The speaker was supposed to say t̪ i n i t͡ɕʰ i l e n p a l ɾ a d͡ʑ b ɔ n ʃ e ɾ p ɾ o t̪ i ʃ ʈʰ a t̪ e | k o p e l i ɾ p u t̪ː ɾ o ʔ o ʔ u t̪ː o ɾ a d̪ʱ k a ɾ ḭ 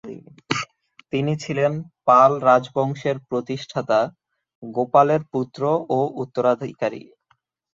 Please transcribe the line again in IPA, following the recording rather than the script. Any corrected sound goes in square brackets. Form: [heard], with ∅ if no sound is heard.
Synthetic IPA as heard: t̪ i n i t͡ɕʰ i l e n p a l ɾ a d͡ʑ b ɔ [ŋ] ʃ e ɾ p ɾ o t̪ i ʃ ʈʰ a t̪ [a] | [ɡ] o p [a] l [e] ɾ p u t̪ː ɾ o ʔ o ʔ u t̪ː o ɾ a d̪ʱ k a ɾ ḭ